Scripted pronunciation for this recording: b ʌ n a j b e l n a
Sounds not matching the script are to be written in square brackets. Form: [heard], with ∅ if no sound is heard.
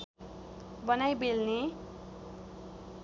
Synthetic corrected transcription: b ʌ n a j b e l n [e]